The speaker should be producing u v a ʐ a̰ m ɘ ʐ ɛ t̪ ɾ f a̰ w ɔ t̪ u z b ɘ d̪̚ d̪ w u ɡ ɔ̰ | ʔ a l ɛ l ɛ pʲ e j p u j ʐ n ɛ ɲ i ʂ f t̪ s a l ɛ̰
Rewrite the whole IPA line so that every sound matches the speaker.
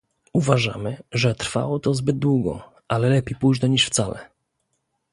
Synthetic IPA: u v a ʐ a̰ m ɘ ʐ ɛ t̪ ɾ f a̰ w ɔ t̪ ɔ z b ɘ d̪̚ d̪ w u ɡ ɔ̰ | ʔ a l ɛ l ɛ pʲ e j p u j ʐ n ɛ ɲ i ʂ f t̪ s a l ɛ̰

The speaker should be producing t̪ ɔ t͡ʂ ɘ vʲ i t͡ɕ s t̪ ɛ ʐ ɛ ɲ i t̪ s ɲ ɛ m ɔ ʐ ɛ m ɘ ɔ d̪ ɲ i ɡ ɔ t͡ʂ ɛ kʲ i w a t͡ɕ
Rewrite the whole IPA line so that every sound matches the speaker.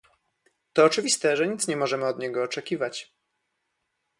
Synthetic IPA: t̪ ɔː t͡ʂ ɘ vʲ i s t̪ ɛ ʐ ɛ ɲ i t̪ s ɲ ɛ m ɔ ʐ ɛ m ɘ ɔ d̪ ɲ ɛ ɡ ɔː t͡ʂ ɛ kʲ i v a t͡ɕ

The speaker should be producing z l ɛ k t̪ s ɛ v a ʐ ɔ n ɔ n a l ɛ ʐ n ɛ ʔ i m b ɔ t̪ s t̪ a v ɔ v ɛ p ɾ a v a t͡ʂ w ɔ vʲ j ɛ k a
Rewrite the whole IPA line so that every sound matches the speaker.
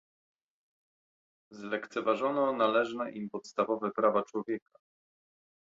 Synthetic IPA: z l ɛ k t̪ s ɛ v a ʐ ɔ n ɔ n a l ɛ ʐ n ɛ ʔ i m p ɔ t̪ s t̪ a v ɔ v ɛ p ɾ a v a t͡ʂ w ɔ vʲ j ɛ k a

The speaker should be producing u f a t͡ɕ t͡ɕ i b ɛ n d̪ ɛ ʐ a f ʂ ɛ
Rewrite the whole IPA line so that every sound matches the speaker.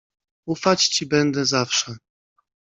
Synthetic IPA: u f a t͡ɕ t͡ɕ i b ɛ n d̪ ɛ z a f ʂ ɛ

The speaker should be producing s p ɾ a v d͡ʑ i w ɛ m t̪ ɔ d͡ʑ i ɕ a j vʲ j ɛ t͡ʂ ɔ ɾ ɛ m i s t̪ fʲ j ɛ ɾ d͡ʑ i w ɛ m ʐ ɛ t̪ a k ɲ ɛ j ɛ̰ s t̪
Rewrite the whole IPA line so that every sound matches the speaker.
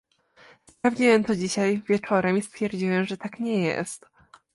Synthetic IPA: s p ɾ a v d͡ʑ i w ɛ m t̪ ɔ d͡ʑ i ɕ a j vʲ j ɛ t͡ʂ ɔ ɾ ɛ m i s t̪ fʲ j ɛ ɾ d͡ʑ i w ɛ m ʐ ɛ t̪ a k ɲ ɛ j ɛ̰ s t̪

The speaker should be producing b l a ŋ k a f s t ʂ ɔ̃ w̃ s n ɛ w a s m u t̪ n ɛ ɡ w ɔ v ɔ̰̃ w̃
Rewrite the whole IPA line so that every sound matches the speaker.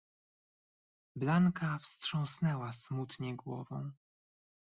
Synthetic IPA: b l a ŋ k a f s t ʂ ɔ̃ w̃ s n ɛ w a s m u t̪ ɲ ɛ ɡ w ɔ v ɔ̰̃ w̃

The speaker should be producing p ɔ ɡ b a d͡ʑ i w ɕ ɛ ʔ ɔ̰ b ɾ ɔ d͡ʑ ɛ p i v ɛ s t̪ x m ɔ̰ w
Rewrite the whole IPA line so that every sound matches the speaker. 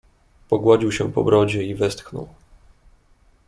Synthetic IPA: p ɔ ɡ w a d͡ʑ i w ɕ ɛ p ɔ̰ b ɾ ɔ d͡ʑ ɛ i v ɛ s t̪ x n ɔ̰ w

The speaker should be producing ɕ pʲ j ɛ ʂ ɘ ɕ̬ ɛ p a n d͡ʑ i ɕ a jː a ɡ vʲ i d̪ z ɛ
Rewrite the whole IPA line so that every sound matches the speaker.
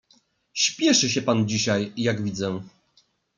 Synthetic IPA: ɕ pʲ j ɛ ʂ ɘ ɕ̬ ɛ p a n d͡ʑ i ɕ a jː a ɡ vʲ i d̪ z ɛ

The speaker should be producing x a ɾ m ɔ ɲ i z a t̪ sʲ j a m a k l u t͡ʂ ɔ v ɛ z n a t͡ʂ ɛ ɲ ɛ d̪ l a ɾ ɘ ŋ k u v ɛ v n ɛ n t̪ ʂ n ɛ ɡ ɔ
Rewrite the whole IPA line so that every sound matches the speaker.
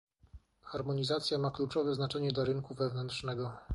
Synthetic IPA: x a ɾ m ɔ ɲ i z a t̪ sʲ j a m a k l u t͡ʂ ɔ v ɛ z n a t͡ʂ ɛ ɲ ɛ d̪ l a ɾ ɘ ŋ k u v ɛ v n ɛ n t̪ ʂ n ɛ ɡ ɔ

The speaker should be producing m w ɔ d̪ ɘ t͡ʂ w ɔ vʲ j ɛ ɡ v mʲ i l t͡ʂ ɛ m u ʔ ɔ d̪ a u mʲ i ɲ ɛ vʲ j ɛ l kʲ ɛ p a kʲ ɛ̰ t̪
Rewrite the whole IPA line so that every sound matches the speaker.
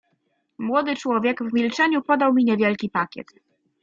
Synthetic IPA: m w ɔ d̪ ɘ t͡ʂ w ɔ vʲ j ɛ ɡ v mʲ i l t͡ʂ ɛ ɲ u p ɔ d̪ a w mʲ i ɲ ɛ vʲ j ɛ l kʲ i p a kʲ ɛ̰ t̪

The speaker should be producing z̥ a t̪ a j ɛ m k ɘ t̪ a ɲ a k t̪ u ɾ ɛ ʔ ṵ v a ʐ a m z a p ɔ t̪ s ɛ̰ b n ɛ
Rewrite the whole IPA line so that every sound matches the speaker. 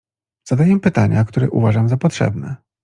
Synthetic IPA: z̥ a d̪ a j ɛ m p ɘ t̪ a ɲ a k t̪ u ɾ ɛ ʔ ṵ v a ʐ a m z a p ɔ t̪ ʂ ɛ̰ b n ɛ

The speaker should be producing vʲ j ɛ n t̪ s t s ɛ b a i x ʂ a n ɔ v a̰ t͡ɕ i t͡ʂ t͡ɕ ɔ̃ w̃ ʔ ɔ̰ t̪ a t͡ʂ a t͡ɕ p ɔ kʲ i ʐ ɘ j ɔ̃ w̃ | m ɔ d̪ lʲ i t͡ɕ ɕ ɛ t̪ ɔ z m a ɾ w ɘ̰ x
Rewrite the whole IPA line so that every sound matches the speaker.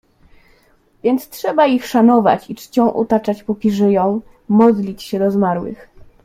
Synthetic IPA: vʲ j ɛ n t̪ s t ʂ ɛ b a i x ʂ a n ɔ v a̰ t͡ɕ i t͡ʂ t͡ɕ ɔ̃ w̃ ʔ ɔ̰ t̪ a t͡ʂ a t͡ɕ p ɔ kʲ i ʐ ɘ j ɔ̃ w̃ | m ɔ d̪ lʲ i t͡ɕ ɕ ɛ d̪ ɔ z m a ɾ w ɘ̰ x

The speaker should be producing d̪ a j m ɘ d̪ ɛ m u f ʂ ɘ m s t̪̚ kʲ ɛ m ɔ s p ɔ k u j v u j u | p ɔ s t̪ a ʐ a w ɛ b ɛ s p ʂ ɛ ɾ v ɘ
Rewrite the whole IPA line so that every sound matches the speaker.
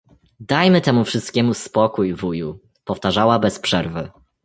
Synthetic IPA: d̪ a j m ɘ t̪ ɛ m u f ʂ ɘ s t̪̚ kʲ ɛ m u s p ɔ k u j v u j u | p ɔ f t̪ a ʐ a w a b ɛ s p ʂ ɛ ɾ v ɘ

